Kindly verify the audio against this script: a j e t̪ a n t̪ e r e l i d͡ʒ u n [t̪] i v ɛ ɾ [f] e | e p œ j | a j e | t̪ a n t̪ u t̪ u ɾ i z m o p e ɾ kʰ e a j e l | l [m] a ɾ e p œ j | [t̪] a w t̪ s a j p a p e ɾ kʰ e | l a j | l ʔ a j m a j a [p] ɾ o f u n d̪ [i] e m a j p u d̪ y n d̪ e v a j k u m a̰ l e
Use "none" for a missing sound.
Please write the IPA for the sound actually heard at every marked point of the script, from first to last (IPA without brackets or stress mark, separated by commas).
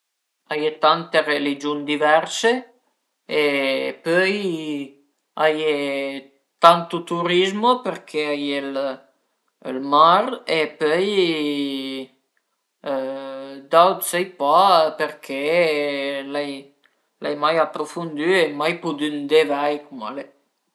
d̪, s, m, d̪, p, y